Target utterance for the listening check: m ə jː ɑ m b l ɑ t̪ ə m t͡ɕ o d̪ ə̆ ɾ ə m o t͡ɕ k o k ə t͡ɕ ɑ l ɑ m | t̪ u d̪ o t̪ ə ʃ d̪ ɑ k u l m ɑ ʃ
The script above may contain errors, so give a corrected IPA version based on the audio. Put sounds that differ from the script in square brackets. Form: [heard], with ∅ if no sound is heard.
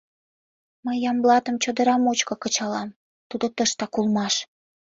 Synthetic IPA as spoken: m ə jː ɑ m b l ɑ t̪ ə m t͡ɕ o d̪ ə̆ ɾ [ɑ] m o t͡ɕ k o k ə t͡ɕ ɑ l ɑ m | t̪ u d̪ o t̪ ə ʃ [t̪] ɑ k u l m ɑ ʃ